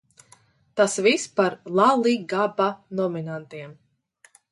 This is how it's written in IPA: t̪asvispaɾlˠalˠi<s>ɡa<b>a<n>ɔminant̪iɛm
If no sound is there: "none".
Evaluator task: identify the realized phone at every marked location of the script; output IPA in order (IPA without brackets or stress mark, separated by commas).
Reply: none, b, n